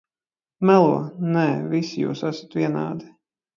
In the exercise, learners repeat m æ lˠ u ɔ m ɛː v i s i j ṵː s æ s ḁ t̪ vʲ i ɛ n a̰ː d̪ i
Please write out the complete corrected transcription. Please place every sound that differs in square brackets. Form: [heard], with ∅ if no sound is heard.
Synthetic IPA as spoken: m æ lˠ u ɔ [n] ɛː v i s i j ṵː s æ s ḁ t̪ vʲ i ɛ n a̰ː d̪ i